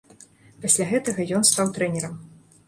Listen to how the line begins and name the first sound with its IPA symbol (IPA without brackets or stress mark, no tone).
p